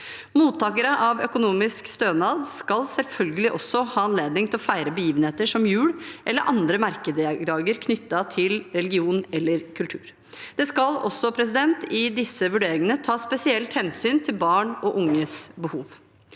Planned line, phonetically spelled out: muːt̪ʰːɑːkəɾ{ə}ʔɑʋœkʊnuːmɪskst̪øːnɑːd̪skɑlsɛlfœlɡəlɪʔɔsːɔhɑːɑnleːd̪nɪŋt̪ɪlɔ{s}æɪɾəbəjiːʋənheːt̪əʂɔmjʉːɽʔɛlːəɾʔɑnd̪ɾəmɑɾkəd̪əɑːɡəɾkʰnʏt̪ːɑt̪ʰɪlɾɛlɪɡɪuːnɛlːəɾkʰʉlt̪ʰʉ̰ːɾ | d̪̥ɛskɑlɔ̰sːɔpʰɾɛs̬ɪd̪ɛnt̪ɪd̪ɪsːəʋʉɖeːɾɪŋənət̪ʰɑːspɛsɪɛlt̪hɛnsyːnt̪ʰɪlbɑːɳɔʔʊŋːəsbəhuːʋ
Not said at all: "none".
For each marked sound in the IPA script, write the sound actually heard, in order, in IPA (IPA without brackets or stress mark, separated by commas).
ə, f